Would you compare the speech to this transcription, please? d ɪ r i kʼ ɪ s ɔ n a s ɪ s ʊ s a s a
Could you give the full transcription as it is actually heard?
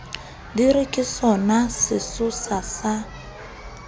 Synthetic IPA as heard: d i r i kʼ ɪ s ɔ n a s ɪ s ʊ s a s a